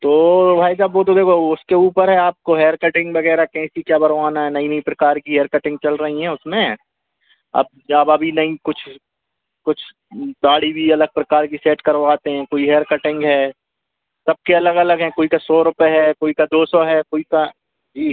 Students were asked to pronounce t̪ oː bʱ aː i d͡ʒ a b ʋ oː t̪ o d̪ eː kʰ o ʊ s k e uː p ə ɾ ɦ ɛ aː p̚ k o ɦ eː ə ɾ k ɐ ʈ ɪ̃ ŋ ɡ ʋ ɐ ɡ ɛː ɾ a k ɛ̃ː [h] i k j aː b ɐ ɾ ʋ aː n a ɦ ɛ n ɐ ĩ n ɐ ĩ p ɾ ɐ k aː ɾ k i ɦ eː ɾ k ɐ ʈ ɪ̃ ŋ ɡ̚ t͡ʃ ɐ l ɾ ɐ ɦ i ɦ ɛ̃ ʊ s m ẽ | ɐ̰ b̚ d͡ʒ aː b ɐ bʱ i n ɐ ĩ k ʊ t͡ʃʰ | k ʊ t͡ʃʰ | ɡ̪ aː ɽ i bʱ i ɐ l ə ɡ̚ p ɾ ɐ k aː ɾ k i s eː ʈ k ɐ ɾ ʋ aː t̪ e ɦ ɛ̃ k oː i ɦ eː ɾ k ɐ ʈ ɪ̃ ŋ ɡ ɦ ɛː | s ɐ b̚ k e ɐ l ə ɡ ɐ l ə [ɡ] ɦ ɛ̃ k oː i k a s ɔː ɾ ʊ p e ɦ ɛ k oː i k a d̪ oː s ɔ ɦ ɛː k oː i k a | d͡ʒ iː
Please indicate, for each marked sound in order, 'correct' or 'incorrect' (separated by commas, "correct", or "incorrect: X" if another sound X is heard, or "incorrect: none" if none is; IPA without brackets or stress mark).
incorrect: s, correct